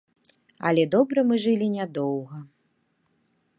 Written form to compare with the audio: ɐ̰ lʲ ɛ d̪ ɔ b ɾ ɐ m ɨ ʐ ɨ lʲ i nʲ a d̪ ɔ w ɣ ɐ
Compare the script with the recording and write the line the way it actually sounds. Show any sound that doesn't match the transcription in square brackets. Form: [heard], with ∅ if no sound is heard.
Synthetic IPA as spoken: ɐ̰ lʲ ɛ d̪ ɔ b ɾ ɐ m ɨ ʐ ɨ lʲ i nʲ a d̪ ɔ w ɣ ɐ